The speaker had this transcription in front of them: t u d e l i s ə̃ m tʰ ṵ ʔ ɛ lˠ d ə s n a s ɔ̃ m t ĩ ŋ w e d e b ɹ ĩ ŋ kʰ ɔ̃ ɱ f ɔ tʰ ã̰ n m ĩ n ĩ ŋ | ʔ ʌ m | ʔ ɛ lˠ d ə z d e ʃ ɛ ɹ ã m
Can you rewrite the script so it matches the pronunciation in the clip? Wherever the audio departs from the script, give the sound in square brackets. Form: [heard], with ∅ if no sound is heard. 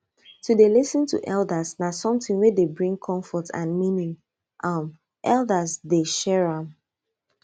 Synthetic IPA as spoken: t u d e l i s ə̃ [n] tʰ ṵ ʔ ɛ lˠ d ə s n a s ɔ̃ m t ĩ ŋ w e d e b ɹ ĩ ŋ kʰ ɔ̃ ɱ f ɔ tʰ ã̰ n m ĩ n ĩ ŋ | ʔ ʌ m | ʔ ɛ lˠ d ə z d e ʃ ɛ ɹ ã m

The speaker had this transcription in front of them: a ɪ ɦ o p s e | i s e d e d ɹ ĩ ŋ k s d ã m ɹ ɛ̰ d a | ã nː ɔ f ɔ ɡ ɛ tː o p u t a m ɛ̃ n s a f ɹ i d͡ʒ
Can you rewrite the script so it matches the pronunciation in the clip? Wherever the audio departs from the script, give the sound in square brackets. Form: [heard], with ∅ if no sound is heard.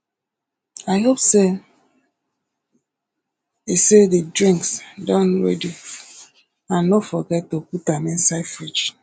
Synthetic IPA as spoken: a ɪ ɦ o p s e | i s e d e d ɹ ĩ ŋ k s d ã [n] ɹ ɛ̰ d [i] | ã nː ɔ f ɔ ɡ ɛ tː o p u t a m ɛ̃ n s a f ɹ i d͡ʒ

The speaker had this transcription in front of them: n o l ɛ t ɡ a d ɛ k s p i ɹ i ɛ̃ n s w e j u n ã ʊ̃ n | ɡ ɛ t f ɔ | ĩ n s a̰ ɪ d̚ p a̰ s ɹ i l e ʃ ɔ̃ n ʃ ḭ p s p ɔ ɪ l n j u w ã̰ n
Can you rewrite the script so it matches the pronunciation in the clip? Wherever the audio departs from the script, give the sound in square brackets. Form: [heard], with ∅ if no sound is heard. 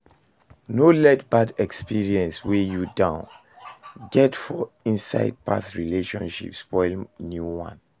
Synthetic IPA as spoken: n o l ɛ t [b] a d ɛ k s p i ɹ i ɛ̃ n s w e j u [d] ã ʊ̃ n | ɡ ɛ t f ɔ | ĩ n s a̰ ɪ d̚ p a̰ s ɹ i l e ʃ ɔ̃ n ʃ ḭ p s p ɔ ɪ l n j u w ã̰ n

